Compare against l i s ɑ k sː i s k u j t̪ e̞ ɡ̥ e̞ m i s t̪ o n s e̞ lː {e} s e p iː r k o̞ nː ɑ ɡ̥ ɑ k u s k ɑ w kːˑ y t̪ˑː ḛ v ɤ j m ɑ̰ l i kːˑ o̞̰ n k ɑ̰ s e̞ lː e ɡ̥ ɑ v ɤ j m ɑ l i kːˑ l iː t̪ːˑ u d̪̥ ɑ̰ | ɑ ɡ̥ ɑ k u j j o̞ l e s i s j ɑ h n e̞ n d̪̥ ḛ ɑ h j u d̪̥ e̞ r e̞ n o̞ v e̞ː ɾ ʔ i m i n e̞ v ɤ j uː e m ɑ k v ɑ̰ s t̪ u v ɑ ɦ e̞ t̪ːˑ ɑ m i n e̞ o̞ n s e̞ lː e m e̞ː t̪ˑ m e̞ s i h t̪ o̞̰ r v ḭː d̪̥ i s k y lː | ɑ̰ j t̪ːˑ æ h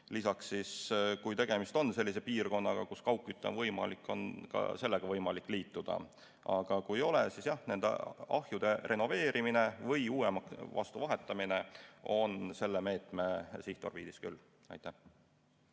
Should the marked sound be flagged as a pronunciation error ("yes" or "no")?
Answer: yes